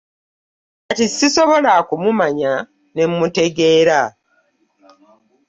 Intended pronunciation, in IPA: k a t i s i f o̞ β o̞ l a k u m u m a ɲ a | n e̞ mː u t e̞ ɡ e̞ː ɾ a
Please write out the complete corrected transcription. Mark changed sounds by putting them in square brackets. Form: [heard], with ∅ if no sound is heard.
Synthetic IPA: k a t i s i [s] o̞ β o̞ l a k u m u m a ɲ a | n e̞ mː u t e̞ ɡ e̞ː ɾ a